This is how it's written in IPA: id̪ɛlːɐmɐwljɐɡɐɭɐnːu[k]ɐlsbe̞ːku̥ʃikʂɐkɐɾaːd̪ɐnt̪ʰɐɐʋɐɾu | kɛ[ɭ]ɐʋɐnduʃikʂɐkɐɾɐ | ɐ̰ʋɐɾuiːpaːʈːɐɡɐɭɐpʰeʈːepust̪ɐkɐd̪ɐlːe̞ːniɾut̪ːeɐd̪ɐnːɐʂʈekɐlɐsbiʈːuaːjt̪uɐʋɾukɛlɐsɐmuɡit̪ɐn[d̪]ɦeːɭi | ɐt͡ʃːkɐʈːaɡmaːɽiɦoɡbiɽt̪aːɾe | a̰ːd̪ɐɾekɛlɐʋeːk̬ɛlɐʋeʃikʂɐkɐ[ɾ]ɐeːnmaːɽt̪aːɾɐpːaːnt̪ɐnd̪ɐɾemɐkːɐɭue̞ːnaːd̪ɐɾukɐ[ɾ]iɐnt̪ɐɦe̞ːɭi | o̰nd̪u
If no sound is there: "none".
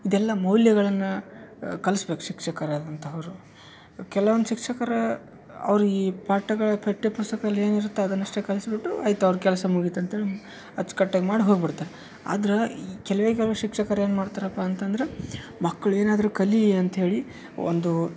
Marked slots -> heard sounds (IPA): k, l, t̪, ɾ, l

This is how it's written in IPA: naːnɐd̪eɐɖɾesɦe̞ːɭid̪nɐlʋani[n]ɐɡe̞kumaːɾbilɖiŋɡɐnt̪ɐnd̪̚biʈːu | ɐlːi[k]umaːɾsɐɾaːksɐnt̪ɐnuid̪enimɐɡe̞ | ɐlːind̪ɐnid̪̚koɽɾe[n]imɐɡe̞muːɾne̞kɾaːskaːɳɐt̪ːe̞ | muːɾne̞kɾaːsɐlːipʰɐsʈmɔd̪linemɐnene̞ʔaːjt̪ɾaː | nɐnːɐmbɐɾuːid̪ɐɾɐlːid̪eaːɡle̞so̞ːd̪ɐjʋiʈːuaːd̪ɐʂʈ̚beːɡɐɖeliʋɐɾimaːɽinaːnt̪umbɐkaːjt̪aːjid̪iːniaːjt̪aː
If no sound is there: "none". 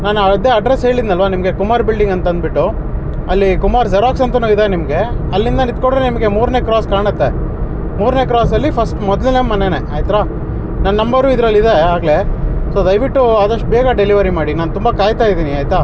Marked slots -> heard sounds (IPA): m, k, n

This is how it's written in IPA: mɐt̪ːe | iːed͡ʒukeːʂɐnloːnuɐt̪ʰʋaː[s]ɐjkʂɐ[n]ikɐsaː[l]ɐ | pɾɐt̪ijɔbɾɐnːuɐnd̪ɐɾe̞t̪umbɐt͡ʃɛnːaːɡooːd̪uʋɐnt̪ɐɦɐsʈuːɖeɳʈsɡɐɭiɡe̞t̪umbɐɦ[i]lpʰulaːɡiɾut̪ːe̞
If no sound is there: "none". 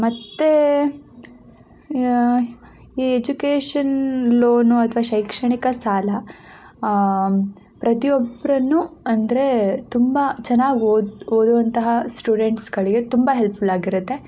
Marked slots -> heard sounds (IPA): ʃ, ɳ, l, e

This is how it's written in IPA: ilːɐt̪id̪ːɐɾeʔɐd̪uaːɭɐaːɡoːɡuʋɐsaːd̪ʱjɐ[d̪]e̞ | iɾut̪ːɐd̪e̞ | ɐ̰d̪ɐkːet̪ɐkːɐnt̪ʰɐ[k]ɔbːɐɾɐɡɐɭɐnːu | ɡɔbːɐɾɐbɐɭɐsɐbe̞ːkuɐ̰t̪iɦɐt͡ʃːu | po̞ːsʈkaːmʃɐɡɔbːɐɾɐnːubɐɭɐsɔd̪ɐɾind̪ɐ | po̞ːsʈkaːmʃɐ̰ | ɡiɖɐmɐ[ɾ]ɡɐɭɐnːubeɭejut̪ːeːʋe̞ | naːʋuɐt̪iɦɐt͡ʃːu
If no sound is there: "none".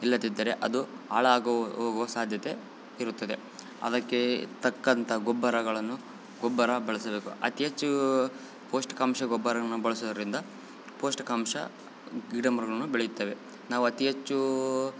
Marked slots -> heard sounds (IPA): t̪, ɡ, ɾ

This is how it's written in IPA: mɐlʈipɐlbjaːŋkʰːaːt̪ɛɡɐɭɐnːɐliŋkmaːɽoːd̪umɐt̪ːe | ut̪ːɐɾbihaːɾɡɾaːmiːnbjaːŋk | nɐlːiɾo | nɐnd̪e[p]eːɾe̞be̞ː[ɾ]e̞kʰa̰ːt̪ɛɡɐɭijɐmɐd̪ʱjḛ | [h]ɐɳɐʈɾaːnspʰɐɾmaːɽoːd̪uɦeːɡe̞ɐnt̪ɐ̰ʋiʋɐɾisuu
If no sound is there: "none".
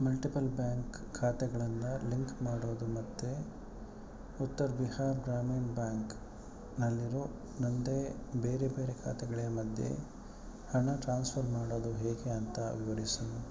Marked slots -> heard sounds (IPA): b, ɾ, h

